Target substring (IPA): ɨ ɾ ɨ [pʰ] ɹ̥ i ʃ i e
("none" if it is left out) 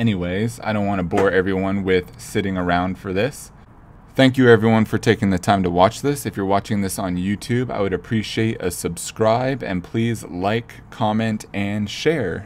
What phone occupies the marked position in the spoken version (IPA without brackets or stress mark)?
pʰ